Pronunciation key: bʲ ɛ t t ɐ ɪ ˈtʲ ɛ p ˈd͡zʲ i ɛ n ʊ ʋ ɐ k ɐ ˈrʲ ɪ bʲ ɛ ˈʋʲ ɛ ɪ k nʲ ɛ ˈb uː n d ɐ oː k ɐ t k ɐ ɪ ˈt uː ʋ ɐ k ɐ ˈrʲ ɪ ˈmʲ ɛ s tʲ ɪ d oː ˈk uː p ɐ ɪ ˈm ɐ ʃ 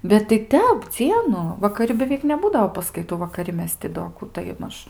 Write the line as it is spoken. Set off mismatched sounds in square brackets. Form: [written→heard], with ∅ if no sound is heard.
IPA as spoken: bʲ ɛ t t ɐ ɪ ˈtʲ ɛ p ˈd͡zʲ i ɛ n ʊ ʋ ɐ k ɐ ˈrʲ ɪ bʲ ɛ ˈʋʲ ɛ ɪ k nʲ ɛ ˈb uː [n→∅] d ɐ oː [k→p] ɐ [t→s] k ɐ ɪ ˈt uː ʋ ɐ k ɐ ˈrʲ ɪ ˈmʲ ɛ s tʲ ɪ d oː ˈk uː [p→t] ɐ ɪ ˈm ɐ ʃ

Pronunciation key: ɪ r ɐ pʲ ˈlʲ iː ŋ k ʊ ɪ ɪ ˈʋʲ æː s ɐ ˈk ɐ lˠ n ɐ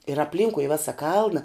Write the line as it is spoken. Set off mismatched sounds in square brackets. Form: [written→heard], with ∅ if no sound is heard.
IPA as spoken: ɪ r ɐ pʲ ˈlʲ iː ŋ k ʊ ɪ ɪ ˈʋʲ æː s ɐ ˈk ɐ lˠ n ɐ

